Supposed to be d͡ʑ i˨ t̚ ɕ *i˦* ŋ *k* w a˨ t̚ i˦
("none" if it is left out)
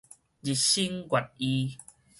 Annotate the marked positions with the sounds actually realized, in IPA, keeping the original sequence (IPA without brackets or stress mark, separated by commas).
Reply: i˦, ɡ